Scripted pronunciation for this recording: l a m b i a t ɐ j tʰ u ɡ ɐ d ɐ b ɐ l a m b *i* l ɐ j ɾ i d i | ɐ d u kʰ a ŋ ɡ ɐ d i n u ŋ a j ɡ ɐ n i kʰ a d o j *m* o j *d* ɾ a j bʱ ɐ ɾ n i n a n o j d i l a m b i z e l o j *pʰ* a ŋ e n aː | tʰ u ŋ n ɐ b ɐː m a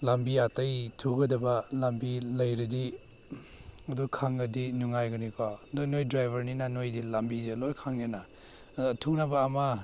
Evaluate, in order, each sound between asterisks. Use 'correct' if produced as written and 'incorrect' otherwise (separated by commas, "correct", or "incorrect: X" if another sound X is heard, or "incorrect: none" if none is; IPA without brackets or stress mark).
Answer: correct, incorrect: n, correct, incorrect: kʰ